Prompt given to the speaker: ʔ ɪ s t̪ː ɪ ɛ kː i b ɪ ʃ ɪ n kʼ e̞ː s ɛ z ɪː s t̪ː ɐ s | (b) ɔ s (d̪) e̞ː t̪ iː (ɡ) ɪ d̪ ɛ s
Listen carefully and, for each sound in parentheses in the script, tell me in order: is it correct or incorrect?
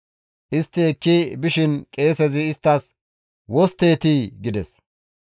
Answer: incorrect, incorrect, correct

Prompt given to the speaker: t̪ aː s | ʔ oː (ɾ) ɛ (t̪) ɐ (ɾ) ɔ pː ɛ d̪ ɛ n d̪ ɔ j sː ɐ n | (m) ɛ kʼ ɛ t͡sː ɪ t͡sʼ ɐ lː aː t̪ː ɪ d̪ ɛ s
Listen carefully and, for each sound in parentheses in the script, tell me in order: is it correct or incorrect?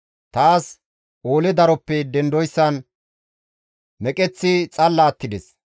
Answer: incorrect, incorrect, correct, correct

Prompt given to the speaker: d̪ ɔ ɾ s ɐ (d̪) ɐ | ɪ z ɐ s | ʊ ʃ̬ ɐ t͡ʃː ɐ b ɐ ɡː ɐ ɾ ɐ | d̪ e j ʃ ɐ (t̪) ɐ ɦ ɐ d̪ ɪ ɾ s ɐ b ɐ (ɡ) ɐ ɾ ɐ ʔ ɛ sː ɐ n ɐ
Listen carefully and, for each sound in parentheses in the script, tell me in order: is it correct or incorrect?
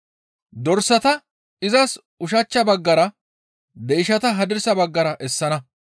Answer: incorrect, correct, incorrect

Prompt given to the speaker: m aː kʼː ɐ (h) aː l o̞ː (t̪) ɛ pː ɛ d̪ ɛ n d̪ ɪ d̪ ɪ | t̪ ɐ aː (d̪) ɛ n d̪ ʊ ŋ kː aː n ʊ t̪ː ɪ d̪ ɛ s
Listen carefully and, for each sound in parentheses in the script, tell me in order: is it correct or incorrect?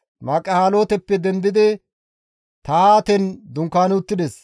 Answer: correct, correct, incorrect

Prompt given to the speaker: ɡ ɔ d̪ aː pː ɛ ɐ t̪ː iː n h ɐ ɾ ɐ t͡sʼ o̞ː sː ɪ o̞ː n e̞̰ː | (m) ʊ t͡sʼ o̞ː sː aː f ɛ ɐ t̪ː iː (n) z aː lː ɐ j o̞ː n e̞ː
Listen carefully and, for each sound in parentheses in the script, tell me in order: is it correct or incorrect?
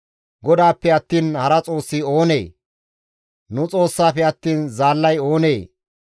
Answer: incorrect, correct

